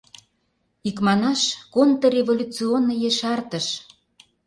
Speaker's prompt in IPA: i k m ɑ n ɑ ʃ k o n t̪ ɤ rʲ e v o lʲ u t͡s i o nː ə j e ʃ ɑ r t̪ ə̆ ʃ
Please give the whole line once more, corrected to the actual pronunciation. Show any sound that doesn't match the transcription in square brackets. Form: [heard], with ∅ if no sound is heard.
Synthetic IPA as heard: i k m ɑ n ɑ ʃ k o n t̪ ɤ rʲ e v o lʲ u t͡s i o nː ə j e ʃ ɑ r t̪ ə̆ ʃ